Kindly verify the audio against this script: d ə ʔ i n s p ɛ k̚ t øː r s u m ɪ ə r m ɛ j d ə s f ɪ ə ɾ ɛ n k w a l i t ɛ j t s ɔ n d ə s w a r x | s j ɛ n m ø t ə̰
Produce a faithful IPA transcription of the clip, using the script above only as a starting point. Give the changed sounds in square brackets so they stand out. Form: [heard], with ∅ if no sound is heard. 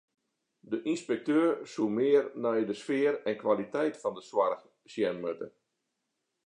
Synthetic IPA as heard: d ə ʔ i n s p ɛ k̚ t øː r s u m ɪ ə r [n] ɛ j d ə s f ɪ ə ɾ ɛ n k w a l i t ɛ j t [f] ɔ n d ə s w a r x | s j ɛ n m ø t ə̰